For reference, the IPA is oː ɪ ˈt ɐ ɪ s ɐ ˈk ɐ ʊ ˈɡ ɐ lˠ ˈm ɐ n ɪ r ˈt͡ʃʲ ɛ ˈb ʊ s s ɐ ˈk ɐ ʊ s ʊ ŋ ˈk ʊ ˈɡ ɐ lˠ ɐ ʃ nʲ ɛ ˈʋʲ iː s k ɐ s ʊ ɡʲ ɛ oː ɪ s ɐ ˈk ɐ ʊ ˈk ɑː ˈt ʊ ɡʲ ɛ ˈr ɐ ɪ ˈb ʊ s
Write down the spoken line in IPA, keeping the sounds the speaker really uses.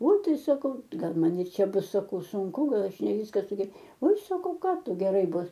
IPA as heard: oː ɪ ˈt ɐ ɪ s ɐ ˈk ɐ ʊ ˈɡ ɐ lˠ ˈm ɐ n ɪ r ˈt͡ʃʲ ɛ ˈb ʊ s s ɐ ˈk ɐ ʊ s ʊ ŋ ˈk ʊ ˈɡ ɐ lˠ ɐ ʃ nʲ ɛ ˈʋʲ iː s k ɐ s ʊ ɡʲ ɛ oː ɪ s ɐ ˈk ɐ ʊ ˈk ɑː ˈt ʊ ɡʲ ɛ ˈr ɐ ɪ ˈb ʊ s